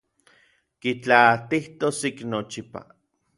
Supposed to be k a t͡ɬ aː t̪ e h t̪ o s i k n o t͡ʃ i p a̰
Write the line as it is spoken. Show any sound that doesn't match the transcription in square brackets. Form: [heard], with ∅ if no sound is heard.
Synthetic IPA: k [i] t͡ɬ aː t̪ [i] h t̪ o s i k n o t͡ʃ i p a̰